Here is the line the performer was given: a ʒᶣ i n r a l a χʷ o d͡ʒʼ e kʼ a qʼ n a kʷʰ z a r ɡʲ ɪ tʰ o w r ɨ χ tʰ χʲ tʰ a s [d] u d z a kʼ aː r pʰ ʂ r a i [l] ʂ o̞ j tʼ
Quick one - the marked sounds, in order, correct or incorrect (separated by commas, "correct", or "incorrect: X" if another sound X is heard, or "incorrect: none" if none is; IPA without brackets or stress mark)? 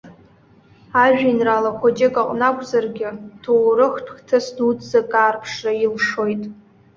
correct, correct